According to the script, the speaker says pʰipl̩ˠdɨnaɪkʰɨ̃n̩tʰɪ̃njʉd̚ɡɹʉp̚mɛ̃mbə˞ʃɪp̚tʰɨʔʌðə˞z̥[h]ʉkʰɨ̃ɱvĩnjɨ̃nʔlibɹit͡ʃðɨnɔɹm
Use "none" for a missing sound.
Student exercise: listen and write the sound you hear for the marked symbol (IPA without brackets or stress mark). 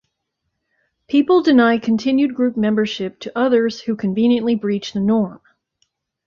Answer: h